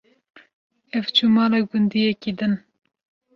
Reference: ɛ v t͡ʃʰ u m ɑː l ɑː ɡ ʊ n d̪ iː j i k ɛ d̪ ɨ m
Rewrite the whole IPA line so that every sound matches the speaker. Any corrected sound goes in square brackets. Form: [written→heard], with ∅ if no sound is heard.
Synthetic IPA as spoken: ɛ v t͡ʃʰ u m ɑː l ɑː ɡ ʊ n d̪ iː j [i→ɛ] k [ɛ→i] d̪ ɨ [m→n]

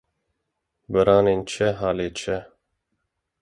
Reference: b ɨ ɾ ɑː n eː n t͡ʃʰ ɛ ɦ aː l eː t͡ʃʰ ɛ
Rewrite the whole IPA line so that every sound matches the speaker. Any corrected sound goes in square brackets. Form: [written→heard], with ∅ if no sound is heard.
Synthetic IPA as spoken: b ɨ ɾ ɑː n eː n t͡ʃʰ ɛ ɦ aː l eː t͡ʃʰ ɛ

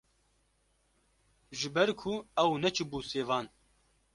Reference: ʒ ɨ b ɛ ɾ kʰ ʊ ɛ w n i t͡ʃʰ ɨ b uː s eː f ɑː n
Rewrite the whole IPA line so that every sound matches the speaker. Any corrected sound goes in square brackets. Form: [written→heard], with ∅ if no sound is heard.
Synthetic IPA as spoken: ʒ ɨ b ɛ ɾ kʰ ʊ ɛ w n [i→ɛ] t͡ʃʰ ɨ b uː s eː [f→v] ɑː n

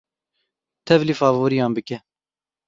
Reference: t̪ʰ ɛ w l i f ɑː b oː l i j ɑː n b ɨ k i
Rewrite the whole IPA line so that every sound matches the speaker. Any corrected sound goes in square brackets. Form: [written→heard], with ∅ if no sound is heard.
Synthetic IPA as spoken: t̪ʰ ɛ [w→v] l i f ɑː [b→v] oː [l→ɾ] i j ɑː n b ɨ k [i→ɛ]

